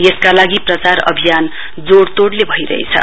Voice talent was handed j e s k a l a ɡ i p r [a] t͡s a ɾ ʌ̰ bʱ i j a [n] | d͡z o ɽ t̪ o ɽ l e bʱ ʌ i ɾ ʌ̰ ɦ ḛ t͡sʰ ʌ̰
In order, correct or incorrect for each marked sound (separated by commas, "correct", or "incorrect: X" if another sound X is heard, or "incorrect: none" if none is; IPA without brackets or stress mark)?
incorrect: ʌ, correct